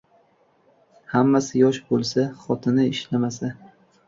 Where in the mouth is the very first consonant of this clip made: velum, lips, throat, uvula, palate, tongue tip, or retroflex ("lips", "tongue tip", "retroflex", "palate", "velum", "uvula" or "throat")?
throat